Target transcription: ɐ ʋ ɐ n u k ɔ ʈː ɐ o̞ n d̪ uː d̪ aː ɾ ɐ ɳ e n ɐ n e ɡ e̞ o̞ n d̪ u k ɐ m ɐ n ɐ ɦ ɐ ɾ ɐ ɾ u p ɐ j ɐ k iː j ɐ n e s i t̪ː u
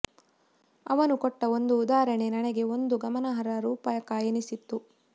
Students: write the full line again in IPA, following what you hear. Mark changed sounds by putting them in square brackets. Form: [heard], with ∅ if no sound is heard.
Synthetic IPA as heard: ɐ ʋ ɐ n u k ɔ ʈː ɐ o̞ n d̪ uː d̪ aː ɾ ɐ ɳ e n ɐ n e ɡ e̞ o̞ n d̪ u [ɡ] ɐ m ɐ n ɐ ɦ ɐ ɾ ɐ ɾ [uː] p ɐ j ɐ k [aː] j ɐ n [i] s i t̪ː u